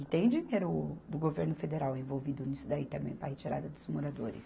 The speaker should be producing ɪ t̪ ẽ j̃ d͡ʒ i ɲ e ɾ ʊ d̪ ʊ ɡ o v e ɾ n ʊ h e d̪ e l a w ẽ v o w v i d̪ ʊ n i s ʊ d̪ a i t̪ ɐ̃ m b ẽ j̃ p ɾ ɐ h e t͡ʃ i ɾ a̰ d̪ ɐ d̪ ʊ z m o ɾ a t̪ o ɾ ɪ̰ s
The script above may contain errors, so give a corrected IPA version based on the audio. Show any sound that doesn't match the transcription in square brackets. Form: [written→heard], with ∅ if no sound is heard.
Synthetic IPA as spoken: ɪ t̪ ẽ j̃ d͡ʒ i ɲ e ɾ ʊ d̪ ʊ ɡ o v e ɾ n ʊ [h→f] e d̪ e [l→ɾ] a w ẽ v o w v i d̪ ʊ n i s ʊ d̪ a i t̪ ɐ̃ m b ẽ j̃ p ɾ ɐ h e t͡ʃ i ɾ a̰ d̪ ɐ d̪ ʊ z m o ɾ a [t̪→d̪] o ɾ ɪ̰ s